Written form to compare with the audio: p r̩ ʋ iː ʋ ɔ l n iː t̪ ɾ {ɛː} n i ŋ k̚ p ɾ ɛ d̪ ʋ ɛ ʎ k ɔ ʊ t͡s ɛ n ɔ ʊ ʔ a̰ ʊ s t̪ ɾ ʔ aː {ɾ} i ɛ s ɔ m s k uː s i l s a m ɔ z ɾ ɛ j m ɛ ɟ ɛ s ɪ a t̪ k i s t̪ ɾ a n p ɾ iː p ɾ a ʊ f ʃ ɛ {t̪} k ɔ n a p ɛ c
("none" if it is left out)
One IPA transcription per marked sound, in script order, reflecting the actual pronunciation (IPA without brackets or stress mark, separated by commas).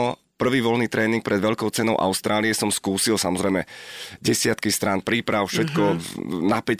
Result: ɛː, l, t̪